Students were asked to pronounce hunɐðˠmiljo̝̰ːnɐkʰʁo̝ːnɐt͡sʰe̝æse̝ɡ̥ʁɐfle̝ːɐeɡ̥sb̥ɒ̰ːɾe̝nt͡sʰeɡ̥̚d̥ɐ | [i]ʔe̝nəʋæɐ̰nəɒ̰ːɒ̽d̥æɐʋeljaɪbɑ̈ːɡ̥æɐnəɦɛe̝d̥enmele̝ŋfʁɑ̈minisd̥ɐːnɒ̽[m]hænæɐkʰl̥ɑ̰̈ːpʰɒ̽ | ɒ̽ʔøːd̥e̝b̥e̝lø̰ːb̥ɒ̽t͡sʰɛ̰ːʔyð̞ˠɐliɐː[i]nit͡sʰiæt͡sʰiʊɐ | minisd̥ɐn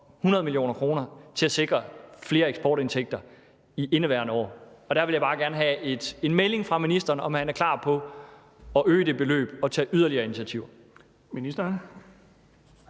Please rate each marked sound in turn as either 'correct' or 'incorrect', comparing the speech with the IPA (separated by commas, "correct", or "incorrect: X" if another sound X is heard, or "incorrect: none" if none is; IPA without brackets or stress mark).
correct, correct, correct